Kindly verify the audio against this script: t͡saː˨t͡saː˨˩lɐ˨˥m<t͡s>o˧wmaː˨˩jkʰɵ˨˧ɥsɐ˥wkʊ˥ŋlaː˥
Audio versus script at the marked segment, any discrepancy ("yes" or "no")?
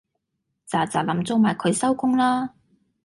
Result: no